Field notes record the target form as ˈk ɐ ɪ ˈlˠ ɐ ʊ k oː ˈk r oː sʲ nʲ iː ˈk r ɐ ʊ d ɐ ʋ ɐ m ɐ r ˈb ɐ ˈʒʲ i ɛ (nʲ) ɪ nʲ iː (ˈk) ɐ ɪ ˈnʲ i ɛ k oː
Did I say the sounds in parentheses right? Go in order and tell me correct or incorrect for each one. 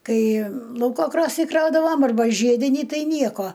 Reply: incorrect: dʲ, incorrect: t

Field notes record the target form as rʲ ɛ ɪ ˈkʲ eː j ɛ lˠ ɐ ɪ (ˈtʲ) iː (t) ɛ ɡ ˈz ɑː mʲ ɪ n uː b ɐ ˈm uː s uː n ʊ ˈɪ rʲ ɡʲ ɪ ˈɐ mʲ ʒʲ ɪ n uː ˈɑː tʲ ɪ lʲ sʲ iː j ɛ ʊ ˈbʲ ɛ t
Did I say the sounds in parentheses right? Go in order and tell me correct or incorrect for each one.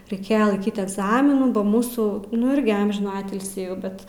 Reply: incorrect: kʲ, correct

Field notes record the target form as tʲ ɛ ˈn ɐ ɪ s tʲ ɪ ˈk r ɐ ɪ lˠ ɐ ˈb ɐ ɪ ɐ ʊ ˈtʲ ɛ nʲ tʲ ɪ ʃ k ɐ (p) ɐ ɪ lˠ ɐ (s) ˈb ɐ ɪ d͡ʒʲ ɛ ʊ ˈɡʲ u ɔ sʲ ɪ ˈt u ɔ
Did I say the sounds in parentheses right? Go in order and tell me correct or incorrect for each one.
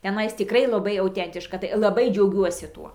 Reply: incorrect: t, incorrect: none

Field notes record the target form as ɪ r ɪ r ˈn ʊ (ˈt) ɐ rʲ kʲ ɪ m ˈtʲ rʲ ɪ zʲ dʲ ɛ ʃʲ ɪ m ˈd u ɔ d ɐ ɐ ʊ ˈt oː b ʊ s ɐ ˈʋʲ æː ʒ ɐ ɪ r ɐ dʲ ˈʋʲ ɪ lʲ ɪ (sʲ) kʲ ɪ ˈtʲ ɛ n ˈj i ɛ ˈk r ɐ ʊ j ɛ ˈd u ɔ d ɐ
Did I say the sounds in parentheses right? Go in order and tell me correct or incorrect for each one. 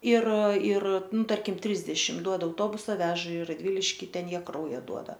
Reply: correct, incorrect: ʃʲ

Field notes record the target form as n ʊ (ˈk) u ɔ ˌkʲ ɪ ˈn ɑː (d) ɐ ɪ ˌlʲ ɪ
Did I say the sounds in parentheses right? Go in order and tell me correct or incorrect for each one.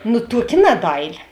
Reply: incorrect: t, correct

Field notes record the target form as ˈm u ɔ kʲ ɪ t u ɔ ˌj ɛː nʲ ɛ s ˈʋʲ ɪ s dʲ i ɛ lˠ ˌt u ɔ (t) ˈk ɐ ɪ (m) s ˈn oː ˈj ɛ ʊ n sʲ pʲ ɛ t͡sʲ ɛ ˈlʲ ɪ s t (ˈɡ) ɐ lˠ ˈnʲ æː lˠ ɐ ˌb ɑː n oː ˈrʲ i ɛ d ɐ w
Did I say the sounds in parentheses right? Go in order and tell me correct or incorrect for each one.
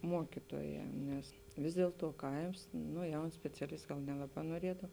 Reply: incorrect: none, correct, correct

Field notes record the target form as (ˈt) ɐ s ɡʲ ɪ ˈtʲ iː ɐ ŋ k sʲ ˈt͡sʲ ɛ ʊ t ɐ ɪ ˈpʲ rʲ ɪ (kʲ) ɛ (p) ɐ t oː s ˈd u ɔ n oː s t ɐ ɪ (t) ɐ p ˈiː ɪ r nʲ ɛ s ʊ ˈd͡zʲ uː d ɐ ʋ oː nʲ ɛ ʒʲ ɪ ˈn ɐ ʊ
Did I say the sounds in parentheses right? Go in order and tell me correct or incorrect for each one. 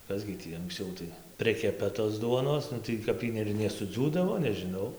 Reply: incorrect: k, correct, correct, incorrect: k

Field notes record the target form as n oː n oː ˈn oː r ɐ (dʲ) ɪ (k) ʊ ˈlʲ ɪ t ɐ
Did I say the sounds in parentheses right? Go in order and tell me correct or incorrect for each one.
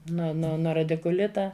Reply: correct, correct

